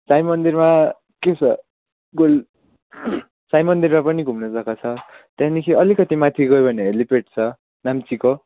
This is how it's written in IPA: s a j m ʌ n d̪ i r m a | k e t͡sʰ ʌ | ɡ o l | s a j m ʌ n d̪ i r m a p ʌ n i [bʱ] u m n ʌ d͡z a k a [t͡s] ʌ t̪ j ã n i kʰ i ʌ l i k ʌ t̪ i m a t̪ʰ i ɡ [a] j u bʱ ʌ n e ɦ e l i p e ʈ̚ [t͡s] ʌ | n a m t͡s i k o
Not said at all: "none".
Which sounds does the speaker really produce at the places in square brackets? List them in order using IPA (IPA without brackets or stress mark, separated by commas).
ɡʱ, t͡sʰ, ʌ, t͡sʰ